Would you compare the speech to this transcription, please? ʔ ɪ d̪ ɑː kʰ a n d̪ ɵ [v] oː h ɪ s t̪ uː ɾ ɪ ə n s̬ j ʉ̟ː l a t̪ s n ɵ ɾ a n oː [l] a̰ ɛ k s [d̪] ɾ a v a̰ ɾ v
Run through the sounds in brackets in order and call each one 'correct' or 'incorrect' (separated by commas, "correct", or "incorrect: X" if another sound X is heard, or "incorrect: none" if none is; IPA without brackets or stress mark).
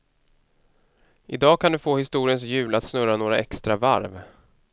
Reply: incorrect: f, incorrect: ɾ, incorrect: t̪